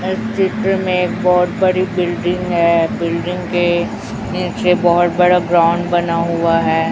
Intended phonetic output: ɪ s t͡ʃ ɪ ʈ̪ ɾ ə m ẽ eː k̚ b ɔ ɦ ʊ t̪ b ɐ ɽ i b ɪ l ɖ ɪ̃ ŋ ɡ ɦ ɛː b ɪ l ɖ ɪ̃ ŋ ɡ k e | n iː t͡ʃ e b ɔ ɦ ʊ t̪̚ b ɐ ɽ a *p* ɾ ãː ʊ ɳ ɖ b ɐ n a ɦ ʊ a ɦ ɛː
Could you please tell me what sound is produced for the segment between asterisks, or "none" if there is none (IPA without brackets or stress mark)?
b